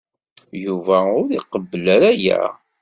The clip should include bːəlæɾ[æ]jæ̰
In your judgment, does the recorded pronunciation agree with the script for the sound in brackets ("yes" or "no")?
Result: yes